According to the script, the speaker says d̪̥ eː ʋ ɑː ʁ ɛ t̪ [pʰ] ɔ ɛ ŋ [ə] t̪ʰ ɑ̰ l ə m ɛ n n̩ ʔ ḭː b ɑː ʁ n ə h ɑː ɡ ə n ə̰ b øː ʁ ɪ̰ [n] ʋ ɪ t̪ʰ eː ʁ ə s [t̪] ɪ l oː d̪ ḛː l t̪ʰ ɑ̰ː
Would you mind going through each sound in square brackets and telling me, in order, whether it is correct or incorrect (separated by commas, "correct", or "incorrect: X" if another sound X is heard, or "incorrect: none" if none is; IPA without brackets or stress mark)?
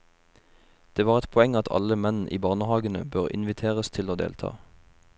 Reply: correct, incorrect: ɑ, correct, incorrect: t̪ʰ